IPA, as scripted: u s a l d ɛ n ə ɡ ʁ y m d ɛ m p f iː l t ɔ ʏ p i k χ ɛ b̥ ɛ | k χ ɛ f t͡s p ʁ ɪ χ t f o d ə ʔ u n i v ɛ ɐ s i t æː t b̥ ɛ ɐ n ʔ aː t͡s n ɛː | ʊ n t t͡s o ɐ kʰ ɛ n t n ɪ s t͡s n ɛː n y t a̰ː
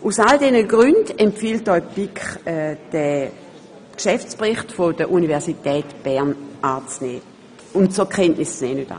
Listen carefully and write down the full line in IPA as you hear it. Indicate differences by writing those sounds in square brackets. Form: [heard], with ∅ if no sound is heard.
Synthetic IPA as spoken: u s a l d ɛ n ə ɡ ʁ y [n] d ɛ m p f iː l t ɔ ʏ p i k χ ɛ [d̥] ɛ | k [ʃ] ɛ f t͡s p ʁ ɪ χ t f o d ə ʔ u n i v ɛ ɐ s i t [ɛː] t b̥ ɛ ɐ n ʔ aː t͡s n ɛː | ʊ n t t͡s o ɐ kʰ ɛ n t n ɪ s t͡s n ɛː n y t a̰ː